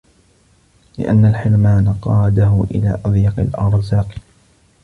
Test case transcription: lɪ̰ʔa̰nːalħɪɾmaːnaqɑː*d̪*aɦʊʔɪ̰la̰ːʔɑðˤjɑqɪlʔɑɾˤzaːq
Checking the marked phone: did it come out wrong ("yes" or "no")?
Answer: no